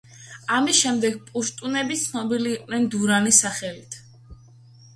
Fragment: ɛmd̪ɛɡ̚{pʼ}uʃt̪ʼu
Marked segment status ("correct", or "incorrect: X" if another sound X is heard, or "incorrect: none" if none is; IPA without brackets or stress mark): correct